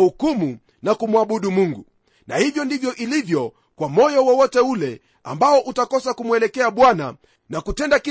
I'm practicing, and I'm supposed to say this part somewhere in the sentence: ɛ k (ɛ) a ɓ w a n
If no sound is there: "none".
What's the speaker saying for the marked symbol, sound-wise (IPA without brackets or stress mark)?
ɛ